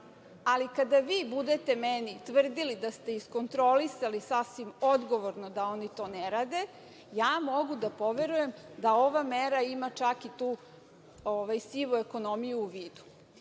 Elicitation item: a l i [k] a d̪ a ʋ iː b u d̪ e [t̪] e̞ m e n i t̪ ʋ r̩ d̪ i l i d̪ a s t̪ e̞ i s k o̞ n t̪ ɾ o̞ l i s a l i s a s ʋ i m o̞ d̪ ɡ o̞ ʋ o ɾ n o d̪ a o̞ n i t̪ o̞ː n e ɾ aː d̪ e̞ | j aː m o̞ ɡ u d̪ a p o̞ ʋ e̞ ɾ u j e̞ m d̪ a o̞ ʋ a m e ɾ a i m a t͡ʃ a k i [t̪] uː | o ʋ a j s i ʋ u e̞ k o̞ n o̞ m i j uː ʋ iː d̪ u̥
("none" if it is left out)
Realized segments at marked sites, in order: k, t̪, t̪

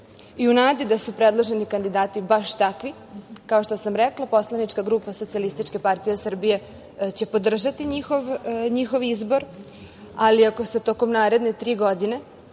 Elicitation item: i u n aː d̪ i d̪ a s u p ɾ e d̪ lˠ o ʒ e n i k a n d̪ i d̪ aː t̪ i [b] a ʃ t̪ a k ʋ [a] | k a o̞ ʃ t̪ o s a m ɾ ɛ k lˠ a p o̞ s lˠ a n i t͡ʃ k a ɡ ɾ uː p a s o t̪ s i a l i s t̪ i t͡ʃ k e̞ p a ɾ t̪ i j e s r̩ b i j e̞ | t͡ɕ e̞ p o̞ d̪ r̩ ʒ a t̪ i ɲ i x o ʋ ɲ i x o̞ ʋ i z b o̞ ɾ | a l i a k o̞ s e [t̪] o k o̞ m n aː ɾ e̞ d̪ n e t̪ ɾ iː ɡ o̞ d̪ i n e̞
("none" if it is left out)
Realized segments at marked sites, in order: b, i, t̪

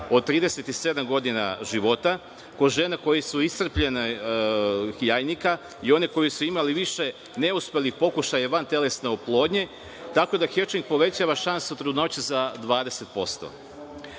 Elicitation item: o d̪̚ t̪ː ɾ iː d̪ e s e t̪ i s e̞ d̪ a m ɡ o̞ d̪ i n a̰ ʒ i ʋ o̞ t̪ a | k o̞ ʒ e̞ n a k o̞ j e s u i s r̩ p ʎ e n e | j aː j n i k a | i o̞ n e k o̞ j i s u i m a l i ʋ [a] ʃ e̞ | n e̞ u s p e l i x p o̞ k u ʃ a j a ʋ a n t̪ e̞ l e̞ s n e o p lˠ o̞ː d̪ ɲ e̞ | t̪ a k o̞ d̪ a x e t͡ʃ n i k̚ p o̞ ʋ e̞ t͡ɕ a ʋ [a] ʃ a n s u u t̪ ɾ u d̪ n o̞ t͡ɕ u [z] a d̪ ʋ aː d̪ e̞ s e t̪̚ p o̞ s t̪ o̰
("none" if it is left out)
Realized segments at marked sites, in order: i, a, z

